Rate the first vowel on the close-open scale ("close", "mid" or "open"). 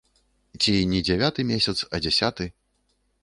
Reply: close